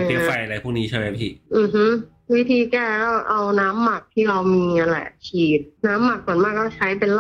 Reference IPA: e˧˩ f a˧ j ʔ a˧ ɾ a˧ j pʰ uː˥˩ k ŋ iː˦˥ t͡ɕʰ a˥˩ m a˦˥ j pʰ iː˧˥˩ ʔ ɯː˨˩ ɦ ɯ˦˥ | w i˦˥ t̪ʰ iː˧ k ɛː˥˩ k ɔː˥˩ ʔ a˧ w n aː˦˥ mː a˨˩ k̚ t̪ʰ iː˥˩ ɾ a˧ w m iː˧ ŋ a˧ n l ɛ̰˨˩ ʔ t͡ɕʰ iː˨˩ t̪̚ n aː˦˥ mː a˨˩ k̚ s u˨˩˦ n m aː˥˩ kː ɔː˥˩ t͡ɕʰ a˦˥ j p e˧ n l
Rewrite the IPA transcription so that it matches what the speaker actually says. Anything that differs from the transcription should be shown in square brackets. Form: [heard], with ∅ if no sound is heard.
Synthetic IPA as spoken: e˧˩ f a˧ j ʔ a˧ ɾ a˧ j pʰ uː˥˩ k [n] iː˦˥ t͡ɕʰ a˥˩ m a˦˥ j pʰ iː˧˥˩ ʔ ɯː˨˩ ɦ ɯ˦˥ | w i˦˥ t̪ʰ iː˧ k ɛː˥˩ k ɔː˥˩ ʔ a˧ w n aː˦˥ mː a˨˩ k̚ t̪ʰ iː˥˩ ɾ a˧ w m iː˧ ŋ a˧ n l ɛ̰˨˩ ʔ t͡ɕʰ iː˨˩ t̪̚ n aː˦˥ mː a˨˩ k̚ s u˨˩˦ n m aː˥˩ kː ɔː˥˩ t͡ɕʰ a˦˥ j p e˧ n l